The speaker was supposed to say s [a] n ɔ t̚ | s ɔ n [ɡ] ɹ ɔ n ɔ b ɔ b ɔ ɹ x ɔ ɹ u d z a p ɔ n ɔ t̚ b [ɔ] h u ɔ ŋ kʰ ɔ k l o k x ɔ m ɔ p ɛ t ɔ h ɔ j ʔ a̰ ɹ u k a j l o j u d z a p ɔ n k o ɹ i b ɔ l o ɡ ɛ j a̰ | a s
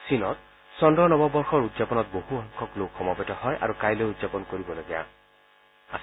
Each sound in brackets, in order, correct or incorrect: incorrect: i, incorrect: d, incorrect: o

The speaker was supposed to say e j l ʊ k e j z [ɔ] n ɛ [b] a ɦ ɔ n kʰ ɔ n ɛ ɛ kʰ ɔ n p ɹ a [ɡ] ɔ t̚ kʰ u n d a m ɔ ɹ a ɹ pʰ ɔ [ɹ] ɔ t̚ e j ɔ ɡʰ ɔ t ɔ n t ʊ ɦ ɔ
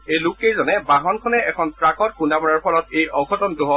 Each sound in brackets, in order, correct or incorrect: correct, correct, incorrect: k, incorrect: l

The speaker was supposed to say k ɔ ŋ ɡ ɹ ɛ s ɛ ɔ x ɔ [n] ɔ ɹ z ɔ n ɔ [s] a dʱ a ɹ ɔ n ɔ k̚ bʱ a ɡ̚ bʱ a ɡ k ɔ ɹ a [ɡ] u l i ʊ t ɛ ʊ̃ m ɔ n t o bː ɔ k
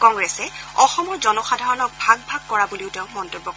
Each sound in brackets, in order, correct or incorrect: incorrect: m, incorrect: x, incorrect: b

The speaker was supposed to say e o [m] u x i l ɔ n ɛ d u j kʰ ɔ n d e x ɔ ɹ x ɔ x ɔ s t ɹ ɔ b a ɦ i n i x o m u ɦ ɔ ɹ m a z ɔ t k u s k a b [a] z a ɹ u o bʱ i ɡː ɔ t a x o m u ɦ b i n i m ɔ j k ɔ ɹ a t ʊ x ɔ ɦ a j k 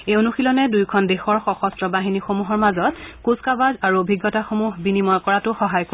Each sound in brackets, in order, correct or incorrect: incorrect: n, correct

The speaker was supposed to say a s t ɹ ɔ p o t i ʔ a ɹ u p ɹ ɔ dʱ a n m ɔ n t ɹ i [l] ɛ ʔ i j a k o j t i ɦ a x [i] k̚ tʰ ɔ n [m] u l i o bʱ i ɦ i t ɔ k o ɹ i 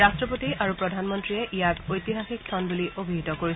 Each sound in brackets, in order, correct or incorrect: incorrect: none, correct, incorrect: b

